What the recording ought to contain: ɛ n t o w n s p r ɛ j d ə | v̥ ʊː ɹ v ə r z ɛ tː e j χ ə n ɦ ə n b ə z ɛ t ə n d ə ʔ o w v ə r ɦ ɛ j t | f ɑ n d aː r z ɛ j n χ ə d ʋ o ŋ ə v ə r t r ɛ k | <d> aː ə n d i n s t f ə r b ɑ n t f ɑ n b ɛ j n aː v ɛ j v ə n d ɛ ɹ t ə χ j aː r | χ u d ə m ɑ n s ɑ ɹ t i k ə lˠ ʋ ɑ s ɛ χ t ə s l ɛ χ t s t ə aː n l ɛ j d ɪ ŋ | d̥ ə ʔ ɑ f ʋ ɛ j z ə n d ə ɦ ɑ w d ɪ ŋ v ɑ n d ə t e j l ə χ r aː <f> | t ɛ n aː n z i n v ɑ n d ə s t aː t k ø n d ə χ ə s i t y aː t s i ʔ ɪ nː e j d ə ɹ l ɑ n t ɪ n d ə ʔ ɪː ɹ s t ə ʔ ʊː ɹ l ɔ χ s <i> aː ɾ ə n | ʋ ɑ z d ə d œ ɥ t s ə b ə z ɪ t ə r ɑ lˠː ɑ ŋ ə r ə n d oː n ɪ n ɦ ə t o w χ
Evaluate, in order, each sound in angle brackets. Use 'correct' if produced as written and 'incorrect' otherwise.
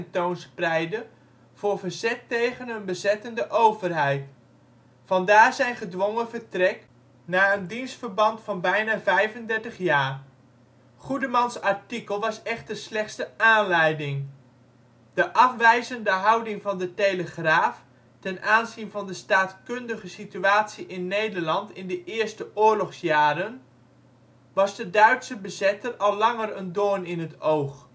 incorrect, correct, incorrect

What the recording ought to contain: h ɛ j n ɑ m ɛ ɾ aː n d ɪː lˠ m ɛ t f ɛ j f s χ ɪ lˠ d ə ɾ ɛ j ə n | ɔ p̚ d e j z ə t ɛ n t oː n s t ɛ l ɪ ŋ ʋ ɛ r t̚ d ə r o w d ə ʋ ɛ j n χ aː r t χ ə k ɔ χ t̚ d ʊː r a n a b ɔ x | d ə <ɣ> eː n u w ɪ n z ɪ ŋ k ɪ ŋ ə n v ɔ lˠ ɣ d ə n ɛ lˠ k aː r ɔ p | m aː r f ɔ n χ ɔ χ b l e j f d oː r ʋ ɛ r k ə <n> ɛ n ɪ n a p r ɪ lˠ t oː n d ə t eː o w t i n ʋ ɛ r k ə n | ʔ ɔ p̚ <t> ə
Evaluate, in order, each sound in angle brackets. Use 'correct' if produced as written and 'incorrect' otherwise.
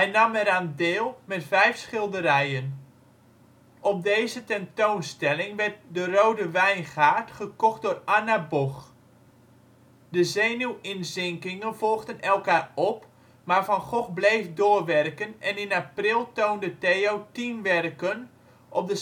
incorrect, correct, incorrect

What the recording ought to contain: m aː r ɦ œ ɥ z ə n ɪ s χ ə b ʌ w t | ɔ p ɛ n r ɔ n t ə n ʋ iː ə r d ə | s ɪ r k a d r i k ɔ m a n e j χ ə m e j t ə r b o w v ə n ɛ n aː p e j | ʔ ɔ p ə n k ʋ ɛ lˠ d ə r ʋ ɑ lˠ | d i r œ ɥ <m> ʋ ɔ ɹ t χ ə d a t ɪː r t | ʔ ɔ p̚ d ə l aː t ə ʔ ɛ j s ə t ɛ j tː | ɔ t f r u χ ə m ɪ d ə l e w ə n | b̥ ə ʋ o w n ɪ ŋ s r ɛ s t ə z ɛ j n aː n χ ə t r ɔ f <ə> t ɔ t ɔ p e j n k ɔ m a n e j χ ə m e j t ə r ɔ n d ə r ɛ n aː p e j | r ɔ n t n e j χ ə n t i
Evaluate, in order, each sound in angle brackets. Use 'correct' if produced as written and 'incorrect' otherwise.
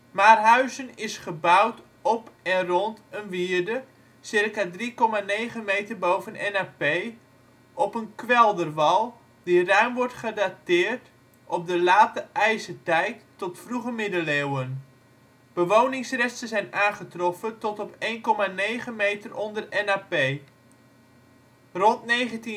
correct, correct

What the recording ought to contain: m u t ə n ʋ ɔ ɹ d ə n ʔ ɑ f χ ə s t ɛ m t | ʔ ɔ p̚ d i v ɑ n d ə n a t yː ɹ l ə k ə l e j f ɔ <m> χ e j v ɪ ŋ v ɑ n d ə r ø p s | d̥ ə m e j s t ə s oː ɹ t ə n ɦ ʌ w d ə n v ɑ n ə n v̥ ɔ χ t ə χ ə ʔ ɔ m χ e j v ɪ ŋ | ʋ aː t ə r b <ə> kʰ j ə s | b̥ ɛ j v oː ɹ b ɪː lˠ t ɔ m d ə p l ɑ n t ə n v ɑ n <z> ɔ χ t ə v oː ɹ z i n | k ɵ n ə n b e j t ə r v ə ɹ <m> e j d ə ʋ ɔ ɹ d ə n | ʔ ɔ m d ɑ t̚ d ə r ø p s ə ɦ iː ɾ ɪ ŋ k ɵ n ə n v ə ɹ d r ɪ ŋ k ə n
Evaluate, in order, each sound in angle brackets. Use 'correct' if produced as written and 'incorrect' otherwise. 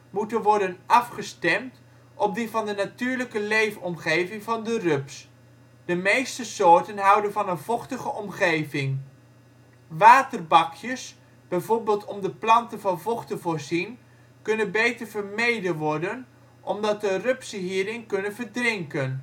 correct, incorrect, incorrect, correct

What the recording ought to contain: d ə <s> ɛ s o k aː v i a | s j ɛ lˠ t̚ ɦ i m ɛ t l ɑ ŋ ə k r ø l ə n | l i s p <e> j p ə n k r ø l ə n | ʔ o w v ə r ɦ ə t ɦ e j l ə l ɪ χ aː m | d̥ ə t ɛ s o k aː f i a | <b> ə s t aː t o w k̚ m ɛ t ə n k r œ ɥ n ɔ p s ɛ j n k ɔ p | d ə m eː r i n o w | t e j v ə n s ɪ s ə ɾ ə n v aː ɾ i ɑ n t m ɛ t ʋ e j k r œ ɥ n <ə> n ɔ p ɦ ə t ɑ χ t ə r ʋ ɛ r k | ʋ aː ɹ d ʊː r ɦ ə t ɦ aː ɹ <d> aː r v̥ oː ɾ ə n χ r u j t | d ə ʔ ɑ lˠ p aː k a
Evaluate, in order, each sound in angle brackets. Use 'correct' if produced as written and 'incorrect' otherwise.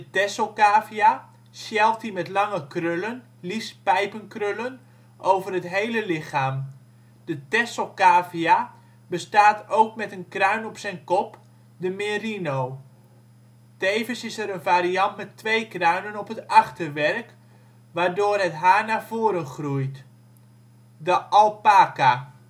incorrect, incorrect, correct, correct, incorrect

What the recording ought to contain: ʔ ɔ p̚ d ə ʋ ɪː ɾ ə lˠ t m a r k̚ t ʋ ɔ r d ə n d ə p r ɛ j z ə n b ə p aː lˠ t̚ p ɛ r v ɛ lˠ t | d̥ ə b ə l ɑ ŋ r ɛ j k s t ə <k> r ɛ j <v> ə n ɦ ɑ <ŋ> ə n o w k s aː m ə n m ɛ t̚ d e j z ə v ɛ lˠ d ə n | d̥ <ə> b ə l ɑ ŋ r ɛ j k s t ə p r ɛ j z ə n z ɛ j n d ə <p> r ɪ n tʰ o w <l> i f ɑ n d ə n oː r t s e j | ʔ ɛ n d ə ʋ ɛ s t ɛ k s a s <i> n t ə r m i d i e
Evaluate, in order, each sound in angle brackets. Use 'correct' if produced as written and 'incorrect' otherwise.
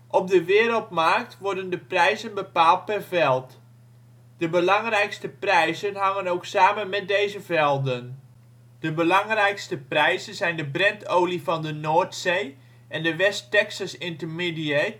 incorrect, incorrect, correct, correct, incorrect, correct, incorrect

